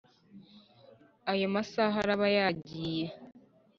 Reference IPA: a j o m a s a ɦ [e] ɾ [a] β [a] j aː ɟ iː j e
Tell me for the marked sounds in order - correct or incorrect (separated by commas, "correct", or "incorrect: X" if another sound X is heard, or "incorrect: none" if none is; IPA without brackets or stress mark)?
incorrect: a, correct, correct